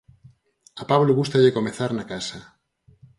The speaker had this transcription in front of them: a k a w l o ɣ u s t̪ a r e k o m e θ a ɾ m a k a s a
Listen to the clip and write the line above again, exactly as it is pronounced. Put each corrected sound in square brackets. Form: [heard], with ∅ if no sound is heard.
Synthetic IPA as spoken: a [p] a [β] l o ɣ u s t̪ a [ʎ] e k o m e θ a ɾ [n] a k a s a